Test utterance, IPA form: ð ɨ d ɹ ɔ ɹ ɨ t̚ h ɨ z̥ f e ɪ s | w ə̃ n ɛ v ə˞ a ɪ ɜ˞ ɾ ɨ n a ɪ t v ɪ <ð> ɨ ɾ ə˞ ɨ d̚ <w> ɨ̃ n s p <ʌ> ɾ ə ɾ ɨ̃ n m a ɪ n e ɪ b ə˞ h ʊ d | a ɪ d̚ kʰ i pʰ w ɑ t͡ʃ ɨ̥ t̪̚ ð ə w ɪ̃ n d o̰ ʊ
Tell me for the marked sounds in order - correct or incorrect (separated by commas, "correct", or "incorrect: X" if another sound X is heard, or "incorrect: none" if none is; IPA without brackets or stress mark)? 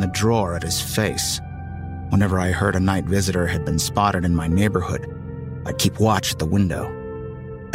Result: incorrect: z, incorrect: b, incorrect: ɑ